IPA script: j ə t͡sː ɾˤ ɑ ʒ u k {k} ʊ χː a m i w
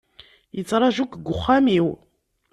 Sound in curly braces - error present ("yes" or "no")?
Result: yes